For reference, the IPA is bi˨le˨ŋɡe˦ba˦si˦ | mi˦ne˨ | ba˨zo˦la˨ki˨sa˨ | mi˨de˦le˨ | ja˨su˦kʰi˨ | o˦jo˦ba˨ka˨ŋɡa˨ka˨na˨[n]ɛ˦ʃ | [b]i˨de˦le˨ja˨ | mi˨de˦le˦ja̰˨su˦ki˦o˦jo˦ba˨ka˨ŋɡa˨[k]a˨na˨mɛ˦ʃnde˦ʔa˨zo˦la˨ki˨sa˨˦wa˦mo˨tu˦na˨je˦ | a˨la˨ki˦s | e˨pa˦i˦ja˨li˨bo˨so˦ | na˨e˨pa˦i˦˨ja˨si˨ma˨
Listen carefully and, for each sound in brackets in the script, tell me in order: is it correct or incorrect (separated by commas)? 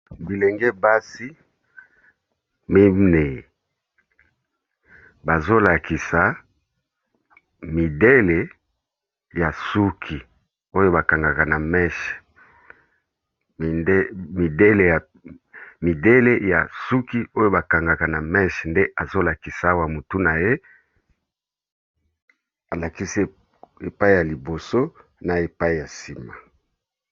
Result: incorrect, incorrect, correct